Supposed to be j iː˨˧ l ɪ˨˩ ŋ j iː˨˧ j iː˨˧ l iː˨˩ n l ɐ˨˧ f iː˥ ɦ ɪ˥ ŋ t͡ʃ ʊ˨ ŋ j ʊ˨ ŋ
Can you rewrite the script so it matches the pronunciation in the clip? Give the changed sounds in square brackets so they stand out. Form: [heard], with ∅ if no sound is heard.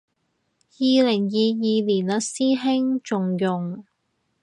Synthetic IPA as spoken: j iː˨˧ l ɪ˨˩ ŋ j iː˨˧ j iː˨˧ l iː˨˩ n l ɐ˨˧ [s] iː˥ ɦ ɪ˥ ŋ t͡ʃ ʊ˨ ŋ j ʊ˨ ŋ